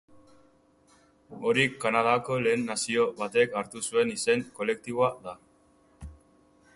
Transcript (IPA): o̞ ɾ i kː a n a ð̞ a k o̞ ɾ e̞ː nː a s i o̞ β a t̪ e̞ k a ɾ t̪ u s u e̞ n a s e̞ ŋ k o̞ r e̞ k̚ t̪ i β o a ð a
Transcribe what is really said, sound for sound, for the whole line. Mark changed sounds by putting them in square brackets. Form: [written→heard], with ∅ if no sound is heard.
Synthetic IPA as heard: o̞ ɾ i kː a n a ð̞ a k o̞ [ɾ→l] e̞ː nː a s i o̞ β a t̪ e̞ k a ɾ t̪ u s u e̞ n [a→i] s e̞ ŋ k o̞ [r→l] e̞ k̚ t̪ i β o a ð a